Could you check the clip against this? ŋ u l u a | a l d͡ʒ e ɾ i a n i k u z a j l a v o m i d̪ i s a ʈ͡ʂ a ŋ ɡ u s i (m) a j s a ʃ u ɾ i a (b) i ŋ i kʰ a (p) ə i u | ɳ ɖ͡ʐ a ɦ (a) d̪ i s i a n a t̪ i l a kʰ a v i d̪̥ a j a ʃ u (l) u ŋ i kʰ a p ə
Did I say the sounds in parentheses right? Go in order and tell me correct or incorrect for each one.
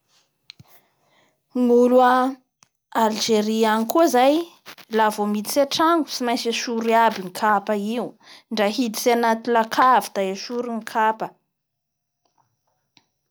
correct, correct, correct, incorrect: i, incorrect: ɾ

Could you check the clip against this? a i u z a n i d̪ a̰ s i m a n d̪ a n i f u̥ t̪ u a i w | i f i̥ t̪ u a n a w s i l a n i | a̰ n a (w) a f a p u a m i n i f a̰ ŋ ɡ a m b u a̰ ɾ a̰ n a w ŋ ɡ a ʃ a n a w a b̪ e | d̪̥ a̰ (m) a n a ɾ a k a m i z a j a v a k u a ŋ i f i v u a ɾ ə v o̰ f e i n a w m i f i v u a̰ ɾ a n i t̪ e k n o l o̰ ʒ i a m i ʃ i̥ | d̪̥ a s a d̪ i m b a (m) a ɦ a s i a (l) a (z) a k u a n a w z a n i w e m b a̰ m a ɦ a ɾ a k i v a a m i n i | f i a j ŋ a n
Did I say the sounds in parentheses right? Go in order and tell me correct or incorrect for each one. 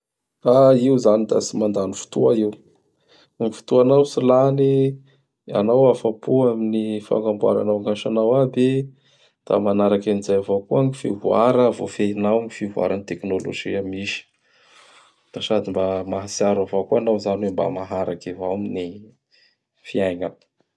correct, correct, correct, incorrect: ɾ, incorrect: v

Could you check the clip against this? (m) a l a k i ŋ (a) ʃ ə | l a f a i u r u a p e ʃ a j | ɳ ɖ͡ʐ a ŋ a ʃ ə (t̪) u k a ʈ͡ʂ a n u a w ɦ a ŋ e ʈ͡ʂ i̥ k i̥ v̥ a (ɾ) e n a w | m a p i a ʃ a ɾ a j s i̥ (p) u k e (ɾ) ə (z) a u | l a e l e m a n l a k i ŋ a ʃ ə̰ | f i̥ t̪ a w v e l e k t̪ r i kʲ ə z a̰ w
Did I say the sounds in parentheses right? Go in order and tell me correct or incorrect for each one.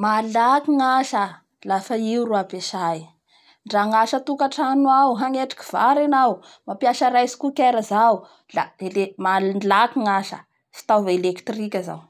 correct, correct, correct, correct, incorrect: k, correct, correct

